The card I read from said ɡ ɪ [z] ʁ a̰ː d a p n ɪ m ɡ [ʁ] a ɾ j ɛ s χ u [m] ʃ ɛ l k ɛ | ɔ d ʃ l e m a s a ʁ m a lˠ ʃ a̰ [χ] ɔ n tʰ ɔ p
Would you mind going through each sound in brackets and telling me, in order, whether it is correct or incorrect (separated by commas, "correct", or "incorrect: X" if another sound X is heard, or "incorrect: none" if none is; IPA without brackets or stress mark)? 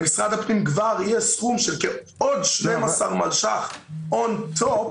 incorrect: s, incorrect: v, correct, correct